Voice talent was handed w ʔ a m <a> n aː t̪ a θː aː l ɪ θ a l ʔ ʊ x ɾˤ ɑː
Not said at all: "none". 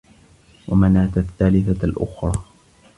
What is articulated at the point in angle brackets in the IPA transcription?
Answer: a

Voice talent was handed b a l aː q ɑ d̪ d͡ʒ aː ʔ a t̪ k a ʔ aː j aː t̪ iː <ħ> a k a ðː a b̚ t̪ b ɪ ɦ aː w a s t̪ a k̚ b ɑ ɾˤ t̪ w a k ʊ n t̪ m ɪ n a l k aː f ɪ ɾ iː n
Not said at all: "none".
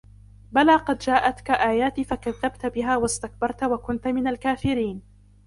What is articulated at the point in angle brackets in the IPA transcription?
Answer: f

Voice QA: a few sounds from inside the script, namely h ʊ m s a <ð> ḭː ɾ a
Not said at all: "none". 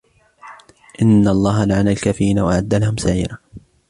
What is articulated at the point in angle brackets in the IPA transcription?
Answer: ʕ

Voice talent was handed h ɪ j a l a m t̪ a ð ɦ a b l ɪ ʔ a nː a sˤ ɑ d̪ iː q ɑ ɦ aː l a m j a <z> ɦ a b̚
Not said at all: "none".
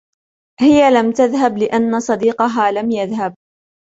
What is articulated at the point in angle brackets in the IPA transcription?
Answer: ð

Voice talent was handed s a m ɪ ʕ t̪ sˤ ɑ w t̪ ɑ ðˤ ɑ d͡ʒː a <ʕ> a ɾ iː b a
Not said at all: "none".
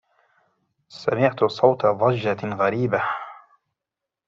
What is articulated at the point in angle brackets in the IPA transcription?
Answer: ɣ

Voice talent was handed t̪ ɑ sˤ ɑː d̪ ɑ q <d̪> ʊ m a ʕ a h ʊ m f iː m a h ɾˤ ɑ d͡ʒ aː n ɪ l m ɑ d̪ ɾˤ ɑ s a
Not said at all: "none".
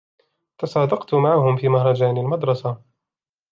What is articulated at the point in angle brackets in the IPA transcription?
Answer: t̪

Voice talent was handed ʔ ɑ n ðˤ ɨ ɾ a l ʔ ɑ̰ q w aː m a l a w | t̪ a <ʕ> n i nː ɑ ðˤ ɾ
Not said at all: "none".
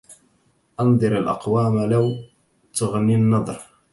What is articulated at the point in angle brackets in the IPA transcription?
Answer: ɣ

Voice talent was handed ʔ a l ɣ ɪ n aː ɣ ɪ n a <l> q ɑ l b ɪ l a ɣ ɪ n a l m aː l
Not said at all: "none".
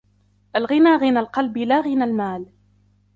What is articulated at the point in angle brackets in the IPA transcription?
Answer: l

